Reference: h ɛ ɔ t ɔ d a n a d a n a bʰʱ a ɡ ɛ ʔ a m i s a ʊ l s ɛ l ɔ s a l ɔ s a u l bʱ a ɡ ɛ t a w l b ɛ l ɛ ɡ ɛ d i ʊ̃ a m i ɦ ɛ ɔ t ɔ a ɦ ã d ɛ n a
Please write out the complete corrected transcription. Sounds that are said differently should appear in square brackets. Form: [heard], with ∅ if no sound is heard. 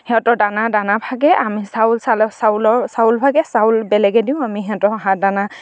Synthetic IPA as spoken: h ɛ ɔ t ɔ d a n a d a n a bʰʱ a ɡ ɛ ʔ a m i s a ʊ l s [a] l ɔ s a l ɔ s a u l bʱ a ɡ ɛ [s] a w l b ɛ l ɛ ɡ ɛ d i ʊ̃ a m i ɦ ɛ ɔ t ɔ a ɦ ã d [a] n a

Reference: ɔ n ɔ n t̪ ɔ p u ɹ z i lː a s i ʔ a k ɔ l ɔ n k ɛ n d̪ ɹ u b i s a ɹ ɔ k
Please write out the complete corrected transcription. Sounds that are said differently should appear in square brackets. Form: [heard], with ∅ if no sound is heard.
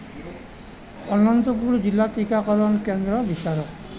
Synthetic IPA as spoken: ɔ n ɔ n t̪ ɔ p u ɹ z i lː a [t] i [k] a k ɔ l ɔ n k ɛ n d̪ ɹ [ɔ] b i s a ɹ ɔ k

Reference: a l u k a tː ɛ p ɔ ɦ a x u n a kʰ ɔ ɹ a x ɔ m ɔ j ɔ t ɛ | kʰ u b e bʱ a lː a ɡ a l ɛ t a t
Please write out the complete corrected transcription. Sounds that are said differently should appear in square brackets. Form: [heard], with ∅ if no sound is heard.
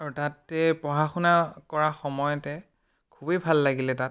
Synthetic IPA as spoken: a [ɹ] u [t] a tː ɛ p ɔ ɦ a x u n a [k] ɔ ɹ a x ɔ m ɔ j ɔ t ɛ | kʰ u b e bʱ a lː a ɡ [i] l ɛ t a t

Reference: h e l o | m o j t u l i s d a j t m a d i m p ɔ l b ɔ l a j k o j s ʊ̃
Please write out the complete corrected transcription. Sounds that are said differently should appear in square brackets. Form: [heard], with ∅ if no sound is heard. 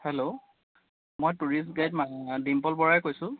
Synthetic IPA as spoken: h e l o | m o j t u [ɹ] i s [ɡ] a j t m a d i m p ɔ l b ɔ [ɹ] a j k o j s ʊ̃

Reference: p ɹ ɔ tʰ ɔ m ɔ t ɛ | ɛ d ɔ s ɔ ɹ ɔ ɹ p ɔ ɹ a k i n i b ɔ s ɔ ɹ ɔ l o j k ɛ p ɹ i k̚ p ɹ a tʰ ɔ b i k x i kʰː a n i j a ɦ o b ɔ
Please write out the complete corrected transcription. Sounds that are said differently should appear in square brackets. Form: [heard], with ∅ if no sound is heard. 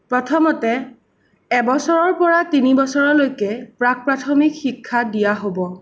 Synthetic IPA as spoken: p ɹ ɔ tʰ ɔ m ɔ t ɛ | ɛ [b] ɔ s ɔ ɹ ɔ ɹ p ɔ ɹ a [t] i n i b ɔ s ɔ ɹ ɔ l o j k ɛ p ɹ [a] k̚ p ɹ a tʰ ɔ [m] i k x i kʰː a [d] i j a ɦ o b ɔ

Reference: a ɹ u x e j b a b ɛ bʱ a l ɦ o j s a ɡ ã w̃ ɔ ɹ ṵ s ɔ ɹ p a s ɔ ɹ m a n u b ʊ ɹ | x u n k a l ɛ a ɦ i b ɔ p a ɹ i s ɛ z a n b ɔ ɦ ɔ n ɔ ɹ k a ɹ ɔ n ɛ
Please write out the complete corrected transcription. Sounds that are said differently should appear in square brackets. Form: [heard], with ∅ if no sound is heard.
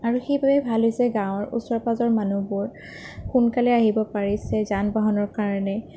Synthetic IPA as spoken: a ɹ u x e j b a b ɛ bʱ a l ɦ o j s [ɛ] ɡ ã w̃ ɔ ɹ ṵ s ɔ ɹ p a [z] ɔ ɹ m a n u b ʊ ɹ | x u n k a l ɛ a ɦ i b ɔ p a ɹ i s ɛ z a n b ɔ ɦ ɔ n ɔ ɹ k a ɹ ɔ n ɛ

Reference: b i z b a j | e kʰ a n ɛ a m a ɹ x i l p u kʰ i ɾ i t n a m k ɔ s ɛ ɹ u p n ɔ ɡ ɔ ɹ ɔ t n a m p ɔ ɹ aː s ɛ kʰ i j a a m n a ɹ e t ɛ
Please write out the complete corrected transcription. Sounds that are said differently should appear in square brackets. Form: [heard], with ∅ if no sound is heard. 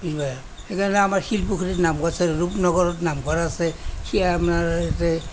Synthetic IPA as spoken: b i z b a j | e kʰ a n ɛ a m a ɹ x i l p u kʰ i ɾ i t n a m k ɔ s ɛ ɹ u p n ɔ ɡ ɔ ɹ ɔ t n a m [k] ɔ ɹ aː s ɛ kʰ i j a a m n a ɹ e t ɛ

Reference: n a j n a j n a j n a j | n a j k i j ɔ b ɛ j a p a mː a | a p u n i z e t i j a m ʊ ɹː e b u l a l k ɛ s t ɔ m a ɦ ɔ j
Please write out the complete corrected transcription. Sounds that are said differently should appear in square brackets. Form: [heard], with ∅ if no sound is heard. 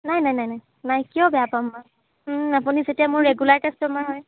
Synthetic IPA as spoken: n a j n a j n a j n a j | n a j k i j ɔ b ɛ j a p a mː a | a p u n i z e t i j a m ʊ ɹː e [ɡ] u l a [ɹ] k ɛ s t ɔ m a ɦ ɔ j

